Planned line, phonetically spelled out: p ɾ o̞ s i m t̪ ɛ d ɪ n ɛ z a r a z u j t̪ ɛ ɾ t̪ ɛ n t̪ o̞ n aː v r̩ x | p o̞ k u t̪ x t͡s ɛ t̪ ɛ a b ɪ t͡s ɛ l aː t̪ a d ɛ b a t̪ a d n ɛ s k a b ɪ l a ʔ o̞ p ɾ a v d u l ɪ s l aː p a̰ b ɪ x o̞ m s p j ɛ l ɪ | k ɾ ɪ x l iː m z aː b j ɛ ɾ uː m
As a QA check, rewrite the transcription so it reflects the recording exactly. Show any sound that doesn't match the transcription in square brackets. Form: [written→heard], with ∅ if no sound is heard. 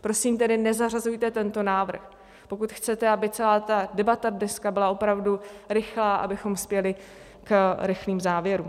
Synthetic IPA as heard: p ɾ o̞ s i m t̪ ɛ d ɪ n ɛ z a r a z u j t̪ ɛ [ɾ→∅] t̪ ɛ n t̪ o̞ n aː v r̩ x | p o̞ k u t̪ x t͡s ɛ t̪ ɛ a b ɪ t͡s ɛ l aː t̪ a d ɛ b a t̪ a d n ɛ s k a b ɪ l a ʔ o̞ p ɾ a v d u [l→ɾ] ɪ [s→x] l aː [p→ʔ] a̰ b ɪ x o̞ m s p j ɛ l ɪ | k ɾ ɪ x l iː m z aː [b→v] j ɛ ɾ uː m